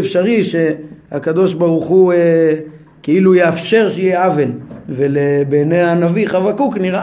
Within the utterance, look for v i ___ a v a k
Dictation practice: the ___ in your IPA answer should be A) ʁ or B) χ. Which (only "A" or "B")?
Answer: B